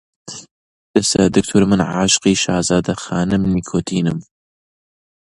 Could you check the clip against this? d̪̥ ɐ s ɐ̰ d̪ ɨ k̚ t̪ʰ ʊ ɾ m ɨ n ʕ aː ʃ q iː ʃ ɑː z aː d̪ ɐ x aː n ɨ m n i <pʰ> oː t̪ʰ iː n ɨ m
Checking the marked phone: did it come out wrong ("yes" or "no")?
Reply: yes